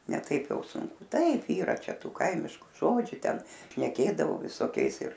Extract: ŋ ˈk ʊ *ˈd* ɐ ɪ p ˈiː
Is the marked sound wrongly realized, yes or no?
yes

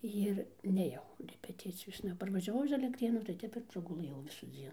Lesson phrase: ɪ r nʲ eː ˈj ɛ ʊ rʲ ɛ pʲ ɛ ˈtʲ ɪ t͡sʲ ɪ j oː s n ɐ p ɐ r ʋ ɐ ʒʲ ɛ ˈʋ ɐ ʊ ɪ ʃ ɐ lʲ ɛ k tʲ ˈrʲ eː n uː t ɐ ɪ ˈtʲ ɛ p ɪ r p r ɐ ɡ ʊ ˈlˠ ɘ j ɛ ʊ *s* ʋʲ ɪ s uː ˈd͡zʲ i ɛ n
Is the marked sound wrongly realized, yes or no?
yes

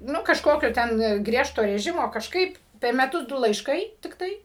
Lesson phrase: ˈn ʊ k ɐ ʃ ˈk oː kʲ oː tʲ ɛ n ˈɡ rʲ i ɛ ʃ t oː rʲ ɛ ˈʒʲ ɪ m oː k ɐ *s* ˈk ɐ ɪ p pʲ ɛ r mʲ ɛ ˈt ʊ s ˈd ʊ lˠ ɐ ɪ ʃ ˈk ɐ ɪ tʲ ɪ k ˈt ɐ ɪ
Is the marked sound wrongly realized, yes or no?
yes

